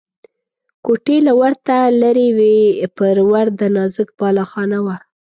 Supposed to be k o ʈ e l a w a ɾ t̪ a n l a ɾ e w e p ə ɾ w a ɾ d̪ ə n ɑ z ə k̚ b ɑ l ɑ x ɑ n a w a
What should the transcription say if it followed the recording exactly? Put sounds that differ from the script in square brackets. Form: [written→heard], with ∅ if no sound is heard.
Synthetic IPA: k o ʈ e l a w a ɾ t̪ a [n→∅] l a ɾ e w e p ə ɾ w a ɾ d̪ ə n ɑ z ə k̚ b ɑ l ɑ x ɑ n a w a